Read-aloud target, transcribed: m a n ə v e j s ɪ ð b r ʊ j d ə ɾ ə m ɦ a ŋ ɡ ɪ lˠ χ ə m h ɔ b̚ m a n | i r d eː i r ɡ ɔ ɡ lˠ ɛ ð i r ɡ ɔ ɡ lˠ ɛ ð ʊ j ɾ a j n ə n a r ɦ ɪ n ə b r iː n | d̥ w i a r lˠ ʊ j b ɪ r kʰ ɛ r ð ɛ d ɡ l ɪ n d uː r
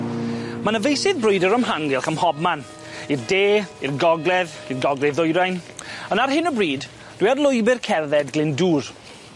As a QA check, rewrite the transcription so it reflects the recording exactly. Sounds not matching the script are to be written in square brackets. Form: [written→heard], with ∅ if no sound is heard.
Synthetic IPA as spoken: m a n ə v e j s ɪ ð b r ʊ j d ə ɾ ə m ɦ a ŋ ɡ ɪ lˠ χ ə m h ɔ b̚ m a n | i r d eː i r ɡ ɔ ɡ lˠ ɛ ð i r ɡ ɔ ɡ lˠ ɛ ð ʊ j ɾ a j n ə n a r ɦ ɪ n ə b r iː [n→d] | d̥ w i a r lˠ ʊ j b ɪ r kʰ ɛ r ð ɛ d ɡ l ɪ n d uː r